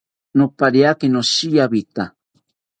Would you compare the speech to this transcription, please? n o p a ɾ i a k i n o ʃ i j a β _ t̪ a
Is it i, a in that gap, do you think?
i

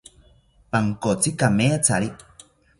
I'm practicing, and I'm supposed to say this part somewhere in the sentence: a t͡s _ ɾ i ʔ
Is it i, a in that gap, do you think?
a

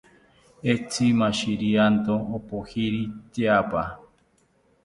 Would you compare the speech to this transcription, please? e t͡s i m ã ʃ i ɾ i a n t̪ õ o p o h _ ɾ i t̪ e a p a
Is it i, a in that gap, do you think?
i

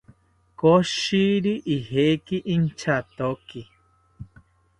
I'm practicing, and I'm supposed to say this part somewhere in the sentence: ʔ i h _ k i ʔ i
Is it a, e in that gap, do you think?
e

